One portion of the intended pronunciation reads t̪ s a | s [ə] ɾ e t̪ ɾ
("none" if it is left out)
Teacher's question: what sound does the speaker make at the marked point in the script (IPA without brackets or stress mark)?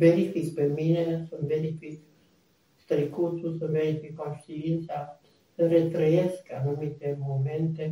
ə